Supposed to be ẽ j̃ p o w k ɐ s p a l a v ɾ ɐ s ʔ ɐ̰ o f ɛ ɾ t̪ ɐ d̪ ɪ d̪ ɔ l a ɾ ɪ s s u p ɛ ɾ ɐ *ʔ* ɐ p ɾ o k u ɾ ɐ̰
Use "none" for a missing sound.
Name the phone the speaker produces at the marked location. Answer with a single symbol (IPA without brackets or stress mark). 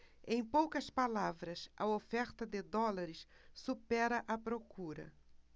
ʔ